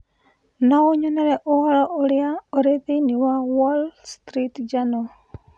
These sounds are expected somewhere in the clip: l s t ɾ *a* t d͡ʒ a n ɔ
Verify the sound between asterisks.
incorrect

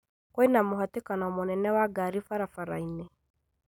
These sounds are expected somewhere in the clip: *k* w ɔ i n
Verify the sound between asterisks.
correct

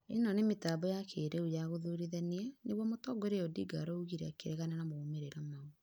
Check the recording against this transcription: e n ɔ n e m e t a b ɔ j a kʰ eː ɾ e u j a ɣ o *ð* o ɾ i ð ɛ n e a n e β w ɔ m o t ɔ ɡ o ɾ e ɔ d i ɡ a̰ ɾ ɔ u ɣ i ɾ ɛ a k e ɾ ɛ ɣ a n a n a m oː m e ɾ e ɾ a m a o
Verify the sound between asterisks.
correct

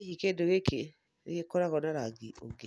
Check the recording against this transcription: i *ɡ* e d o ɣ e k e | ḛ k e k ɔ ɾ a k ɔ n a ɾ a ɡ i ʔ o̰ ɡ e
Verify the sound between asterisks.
incorrect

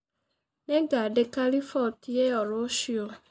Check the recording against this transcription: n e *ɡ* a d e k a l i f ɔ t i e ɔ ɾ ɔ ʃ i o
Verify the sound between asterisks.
correct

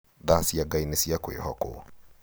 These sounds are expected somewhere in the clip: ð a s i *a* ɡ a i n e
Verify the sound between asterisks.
correct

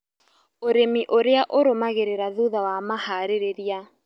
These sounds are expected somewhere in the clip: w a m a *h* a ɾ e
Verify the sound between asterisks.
correct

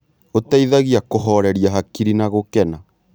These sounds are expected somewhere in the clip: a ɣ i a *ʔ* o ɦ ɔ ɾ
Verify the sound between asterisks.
incorrect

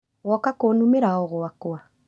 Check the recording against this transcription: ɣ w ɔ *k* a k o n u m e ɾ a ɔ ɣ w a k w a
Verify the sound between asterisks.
correct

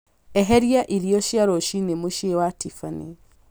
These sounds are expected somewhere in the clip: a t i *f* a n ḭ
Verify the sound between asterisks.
correct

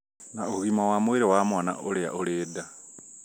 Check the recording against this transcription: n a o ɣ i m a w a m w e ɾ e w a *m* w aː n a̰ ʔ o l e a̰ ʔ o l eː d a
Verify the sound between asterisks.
correct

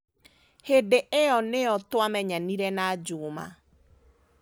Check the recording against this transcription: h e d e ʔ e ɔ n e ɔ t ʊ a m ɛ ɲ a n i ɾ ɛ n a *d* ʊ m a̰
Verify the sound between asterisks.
incorrect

